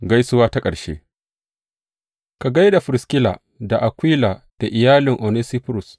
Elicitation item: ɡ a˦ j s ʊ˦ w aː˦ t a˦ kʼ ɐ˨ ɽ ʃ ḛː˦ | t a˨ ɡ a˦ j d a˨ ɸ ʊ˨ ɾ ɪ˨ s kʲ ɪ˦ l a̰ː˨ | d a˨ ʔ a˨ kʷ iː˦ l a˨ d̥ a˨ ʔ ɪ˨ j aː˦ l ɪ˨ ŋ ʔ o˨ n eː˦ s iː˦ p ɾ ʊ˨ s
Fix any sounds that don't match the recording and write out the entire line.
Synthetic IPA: ɡ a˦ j s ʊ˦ w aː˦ t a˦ kʼ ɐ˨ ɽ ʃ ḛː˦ | k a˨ ɡ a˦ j d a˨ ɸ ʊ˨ ɾ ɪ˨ s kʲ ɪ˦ l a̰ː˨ | d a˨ ʔ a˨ kʷ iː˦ l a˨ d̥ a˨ ʔ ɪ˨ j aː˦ l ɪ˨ ŋ ʔ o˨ n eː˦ s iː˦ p ɾ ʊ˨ s